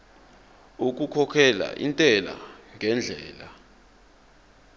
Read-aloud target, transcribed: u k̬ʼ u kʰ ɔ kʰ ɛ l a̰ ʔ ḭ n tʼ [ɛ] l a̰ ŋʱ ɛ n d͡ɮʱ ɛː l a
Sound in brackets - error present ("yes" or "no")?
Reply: no